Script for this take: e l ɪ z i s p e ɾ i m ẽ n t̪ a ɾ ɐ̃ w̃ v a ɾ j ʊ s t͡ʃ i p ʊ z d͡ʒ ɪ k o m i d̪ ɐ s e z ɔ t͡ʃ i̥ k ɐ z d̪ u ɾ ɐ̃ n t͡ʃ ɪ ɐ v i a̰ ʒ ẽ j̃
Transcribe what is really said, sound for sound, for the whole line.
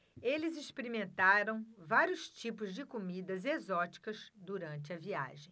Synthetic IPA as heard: e l ɪ z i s p e ɾ i m ẽ n t̪ a ɾ ɐ̃ w̃ v a ɾ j ʊ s t͡ʃ i p ʊ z d͡ʒ ɪ k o m i d̪ ɐ z e z ɔ t͡ʃ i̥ k ɐ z d̪ u ɾ ɐ̃ n t͡ʃ ɪ ɐ v i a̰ ʒ ẽ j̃

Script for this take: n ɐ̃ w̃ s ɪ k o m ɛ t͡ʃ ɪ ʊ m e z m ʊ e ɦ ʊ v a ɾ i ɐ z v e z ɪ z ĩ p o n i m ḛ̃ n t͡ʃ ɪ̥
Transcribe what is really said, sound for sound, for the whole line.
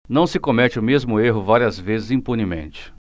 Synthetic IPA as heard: n ɐ̃ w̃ s ɪ k o m ɛ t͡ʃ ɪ ʊ m e z m ʊ e ɦ ʊ v a ɾ i ɐ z v e z ɪ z ĩ p u n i m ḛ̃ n t͡ʃ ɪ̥

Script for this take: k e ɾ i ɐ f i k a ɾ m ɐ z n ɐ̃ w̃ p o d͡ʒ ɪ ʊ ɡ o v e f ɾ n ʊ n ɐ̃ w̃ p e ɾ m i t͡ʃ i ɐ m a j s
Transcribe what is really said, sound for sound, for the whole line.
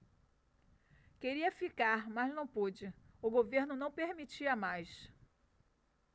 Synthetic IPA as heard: k e ɾ i ɐ f i k a ɾ m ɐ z n ɐ̃ w̃ p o d͡ʒ ɪ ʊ ɡ o v e ɾ n ʊ n ɐ̃ w̃ p e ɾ m i t͡ʃ i ɐ m a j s

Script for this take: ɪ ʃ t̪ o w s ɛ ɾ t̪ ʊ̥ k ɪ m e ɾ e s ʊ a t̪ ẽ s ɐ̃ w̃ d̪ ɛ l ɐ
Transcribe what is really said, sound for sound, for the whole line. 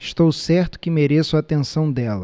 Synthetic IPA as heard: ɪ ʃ t̪ o w s ɛ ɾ t̪ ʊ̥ k ɪ m e ɾ e s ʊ a t̪ ẽ s ɐ̃ w̃ d̪ ɛ l ɐ

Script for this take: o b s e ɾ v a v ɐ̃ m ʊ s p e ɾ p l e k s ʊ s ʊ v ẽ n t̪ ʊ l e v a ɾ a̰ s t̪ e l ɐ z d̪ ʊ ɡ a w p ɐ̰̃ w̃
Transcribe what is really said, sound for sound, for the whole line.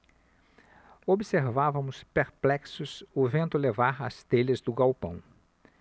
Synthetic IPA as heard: o b s e ɾ v a v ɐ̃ m ʊ s p e ɾ p l ɛ k s ʊ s ʊ v ẽ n t̪ ʊ l e v a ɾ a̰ s t̪ e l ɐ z d̪ ʊ ɡ a w p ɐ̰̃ w̃

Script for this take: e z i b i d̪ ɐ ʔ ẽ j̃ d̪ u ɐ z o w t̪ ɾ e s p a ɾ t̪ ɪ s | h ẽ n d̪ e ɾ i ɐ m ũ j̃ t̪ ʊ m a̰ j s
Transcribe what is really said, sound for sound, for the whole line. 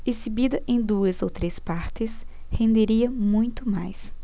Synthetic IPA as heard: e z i b i d̪ ɐ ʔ ẽ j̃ d̪ u ɐ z o w t̪ ɾ e s p a ɾ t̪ ɪ s | h ẽ n d̪ e ɾ i ɐ m ũ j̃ t̪ ʊ m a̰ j s

